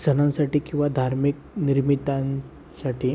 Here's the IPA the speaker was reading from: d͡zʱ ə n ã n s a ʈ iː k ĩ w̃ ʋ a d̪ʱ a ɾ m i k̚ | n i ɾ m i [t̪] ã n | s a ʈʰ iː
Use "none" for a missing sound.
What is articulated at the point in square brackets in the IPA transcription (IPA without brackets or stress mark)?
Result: t̪